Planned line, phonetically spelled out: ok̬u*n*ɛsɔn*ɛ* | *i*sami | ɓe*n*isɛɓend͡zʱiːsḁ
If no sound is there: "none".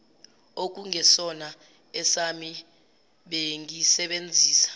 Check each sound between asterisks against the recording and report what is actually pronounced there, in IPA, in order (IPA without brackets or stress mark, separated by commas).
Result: ŋ, a, ɛ, ŋ